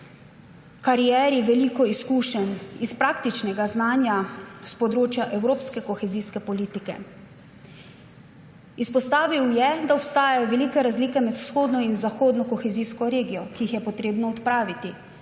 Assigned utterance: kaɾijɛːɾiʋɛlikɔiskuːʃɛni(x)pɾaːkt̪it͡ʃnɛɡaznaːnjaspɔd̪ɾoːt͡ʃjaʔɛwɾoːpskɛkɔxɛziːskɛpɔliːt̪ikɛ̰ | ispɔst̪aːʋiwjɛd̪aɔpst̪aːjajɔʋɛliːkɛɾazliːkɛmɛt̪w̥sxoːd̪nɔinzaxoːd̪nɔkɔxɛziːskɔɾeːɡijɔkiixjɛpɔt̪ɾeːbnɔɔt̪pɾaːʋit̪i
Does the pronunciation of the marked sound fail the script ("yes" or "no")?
yes